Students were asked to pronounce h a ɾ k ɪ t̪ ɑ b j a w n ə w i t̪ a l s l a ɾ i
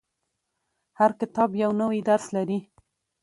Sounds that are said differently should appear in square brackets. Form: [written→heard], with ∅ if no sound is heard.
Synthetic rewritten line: h a ɾ k ɪ t̪ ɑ b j a w n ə w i [t̪→d̪] a [l→ɾ] s l a ɾ i